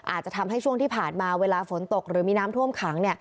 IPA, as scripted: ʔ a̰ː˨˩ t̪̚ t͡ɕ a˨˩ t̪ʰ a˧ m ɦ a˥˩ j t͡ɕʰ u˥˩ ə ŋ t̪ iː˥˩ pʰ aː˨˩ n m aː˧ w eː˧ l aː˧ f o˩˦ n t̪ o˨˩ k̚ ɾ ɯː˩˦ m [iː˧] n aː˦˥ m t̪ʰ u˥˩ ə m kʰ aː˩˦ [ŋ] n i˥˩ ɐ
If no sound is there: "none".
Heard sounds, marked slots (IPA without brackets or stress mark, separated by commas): iː˧, ŋ